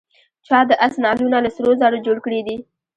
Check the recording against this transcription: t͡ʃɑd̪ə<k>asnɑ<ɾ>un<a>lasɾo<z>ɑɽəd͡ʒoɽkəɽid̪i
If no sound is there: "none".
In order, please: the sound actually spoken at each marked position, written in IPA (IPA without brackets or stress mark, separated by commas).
ʔ, l, a, z